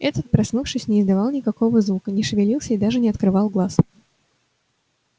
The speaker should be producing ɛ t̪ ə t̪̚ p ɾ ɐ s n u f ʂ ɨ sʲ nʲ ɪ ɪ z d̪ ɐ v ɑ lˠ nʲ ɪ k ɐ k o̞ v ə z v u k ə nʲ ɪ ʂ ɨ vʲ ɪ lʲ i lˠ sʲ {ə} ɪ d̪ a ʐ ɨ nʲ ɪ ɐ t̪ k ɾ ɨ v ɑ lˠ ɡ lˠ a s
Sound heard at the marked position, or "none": ə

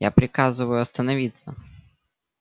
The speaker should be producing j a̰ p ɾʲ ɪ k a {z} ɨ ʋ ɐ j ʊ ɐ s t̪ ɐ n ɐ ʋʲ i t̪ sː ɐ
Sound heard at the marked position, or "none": z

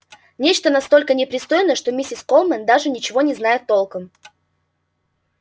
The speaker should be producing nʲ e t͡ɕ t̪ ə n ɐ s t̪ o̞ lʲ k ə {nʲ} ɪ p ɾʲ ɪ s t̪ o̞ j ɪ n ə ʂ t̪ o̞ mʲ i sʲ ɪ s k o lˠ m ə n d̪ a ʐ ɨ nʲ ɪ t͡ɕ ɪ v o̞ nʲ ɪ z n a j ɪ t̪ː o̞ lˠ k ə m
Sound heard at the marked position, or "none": nʲ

